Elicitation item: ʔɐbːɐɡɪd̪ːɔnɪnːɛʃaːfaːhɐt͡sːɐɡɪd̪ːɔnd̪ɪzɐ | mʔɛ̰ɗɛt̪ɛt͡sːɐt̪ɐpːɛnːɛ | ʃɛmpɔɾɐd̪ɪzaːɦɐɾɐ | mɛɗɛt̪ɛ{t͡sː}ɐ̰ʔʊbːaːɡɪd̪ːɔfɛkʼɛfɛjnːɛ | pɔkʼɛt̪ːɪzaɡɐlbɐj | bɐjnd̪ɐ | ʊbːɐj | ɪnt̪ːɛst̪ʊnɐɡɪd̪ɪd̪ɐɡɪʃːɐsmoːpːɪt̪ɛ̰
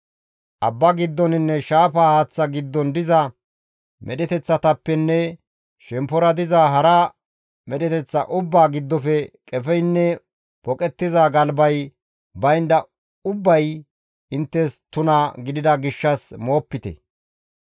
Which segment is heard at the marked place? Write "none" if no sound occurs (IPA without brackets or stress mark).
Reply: t͡sː